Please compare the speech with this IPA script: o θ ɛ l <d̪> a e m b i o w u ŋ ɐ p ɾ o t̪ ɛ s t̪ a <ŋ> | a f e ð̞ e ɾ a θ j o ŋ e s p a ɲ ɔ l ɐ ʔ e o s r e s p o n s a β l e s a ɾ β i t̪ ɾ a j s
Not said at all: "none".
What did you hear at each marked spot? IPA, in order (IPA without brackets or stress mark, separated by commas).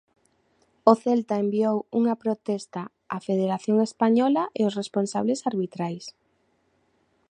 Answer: t̪, none